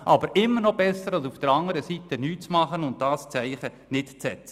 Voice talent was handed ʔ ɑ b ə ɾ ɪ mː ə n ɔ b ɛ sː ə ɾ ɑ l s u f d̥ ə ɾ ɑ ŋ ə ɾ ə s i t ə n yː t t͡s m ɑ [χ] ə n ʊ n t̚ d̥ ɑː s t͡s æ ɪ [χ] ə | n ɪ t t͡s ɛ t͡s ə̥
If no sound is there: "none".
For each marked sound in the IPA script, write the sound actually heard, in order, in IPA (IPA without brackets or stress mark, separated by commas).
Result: χ, χ